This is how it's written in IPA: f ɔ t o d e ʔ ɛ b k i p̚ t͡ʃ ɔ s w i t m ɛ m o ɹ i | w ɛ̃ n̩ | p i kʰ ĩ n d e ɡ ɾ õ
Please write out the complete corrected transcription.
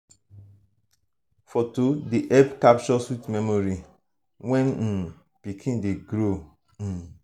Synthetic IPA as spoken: f ɔ t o d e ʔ ɛ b k a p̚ t͡ʃ ɔ s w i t m ɛ m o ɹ i | w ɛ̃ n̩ | p i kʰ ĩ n d e ɡ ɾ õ